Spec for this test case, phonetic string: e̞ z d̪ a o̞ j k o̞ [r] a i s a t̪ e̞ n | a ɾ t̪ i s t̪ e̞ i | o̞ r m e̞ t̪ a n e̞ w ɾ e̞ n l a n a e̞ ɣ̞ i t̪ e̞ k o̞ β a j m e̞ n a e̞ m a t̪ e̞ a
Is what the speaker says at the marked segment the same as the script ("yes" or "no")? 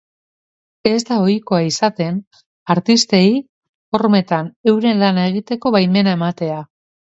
no